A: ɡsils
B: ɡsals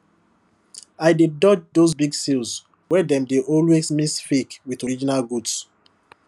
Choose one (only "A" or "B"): A